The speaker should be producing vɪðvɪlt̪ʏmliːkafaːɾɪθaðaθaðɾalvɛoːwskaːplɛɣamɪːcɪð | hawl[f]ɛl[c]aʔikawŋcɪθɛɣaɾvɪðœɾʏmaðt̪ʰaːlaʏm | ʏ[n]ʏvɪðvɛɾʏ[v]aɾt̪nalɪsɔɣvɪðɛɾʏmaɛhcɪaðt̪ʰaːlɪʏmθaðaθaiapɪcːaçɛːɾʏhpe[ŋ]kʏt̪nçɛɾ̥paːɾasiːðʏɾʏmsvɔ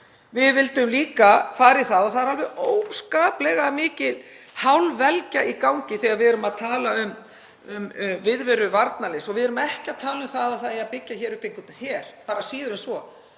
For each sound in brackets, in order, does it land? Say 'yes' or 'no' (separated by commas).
no, yes, no, yes, yes